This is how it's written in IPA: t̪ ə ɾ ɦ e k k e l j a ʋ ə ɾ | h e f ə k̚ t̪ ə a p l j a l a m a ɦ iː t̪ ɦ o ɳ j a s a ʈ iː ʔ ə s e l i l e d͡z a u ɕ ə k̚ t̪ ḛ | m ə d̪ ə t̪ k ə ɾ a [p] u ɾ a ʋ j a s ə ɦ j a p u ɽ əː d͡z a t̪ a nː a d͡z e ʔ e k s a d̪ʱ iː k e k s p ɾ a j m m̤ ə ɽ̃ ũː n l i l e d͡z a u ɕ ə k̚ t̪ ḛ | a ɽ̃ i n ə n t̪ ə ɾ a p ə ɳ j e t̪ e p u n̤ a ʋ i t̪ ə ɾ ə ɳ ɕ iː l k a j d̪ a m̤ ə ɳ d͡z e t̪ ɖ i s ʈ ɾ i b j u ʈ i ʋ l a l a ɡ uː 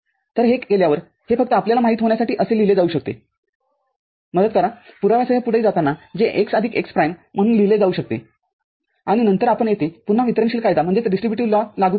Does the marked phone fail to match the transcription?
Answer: no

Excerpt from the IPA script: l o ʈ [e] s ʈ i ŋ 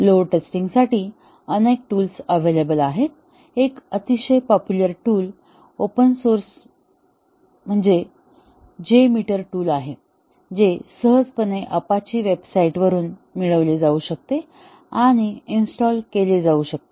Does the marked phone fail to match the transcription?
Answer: no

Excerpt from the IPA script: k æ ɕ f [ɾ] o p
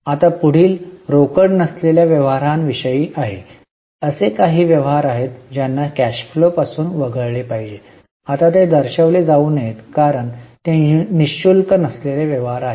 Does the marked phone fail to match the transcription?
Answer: yes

